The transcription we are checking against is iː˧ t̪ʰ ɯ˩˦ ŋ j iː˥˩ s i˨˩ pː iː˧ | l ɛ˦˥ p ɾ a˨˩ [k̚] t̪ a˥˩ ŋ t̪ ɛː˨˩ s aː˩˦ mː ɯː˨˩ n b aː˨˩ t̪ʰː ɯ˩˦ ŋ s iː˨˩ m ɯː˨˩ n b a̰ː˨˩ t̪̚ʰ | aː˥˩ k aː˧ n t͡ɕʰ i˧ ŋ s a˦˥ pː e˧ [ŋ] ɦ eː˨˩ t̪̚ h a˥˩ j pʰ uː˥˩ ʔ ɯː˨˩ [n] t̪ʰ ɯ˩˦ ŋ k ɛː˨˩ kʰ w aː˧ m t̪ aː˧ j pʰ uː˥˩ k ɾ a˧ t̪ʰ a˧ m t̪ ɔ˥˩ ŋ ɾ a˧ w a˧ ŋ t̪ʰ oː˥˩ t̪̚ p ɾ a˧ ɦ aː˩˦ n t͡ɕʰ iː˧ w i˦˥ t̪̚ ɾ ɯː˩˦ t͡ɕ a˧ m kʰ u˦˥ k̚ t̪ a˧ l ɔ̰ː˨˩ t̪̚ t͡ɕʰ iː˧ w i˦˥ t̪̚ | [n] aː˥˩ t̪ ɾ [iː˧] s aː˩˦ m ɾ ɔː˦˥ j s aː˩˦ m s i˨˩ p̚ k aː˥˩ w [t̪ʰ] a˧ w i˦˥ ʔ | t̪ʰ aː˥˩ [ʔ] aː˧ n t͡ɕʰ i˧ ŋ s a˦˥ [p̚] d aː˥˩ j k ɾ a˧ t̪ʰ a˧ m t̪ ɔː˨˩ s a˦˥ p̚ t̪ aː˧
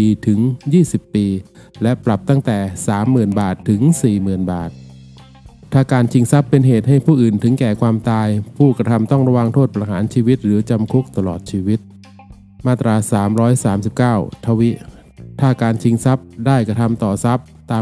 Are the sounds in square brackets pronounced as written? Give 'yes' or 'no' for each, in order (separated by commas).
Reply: no, no, yes, no, no, yes, no, yes